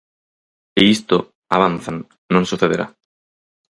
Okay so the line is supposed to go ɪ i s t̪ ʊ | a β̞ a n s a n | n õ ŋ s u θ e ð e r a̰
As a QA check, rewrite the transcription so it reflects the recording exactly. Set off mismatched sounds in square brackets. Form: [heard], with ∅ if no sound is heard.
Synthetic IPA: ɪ i s t̪ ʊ | a β̞ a n [θ] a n | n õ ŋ s u θ e ð e [ɾ] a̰